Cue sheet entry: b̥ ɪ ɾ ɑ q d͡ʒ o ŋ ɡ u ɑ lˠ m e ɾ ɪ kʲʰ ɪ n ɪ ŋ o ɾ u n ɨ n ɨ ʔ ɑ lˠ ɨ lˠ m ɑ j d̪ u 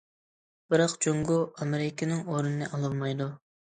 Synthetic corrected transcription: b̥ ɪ ɾ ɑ q d͡ʒ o ŋ ɡ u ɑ m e ɾ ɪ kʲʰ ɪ n ɪ ŋ o ɾ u n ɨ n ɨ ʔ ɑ lˠ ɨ lˠ m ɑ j d̪ u